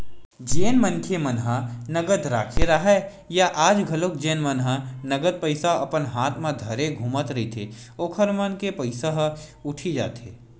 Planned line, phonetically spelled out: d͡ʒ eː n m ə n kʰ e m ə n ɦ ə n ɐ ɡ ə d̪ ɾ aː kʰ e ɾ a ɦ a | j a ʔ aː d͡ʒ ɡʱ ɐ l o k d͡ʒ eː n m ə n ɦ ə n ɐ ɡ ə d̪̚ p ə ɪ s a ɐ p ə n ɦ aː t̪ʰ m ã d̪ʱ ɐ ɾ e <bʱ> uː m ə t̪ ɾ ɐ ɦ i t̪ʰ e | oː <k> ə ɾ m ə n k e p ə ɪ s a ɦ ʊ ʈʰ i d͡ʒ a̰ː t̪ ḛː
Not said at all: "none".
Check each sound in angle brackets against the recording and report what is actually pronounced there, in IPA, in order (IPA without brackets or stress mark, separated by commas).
ɡʱ, kʰ